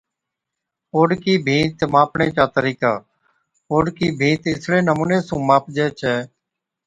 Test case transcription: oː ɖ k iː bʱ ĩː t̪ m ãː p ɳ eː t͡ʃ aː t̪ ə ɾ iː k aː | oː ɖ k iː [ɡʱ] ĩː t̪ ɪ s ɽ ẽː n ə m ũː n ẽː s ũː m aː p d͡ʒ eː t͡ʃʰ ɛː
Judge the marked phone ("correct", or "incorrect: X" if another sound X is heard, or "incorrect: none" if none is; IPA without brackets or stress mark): incorrect: bʱ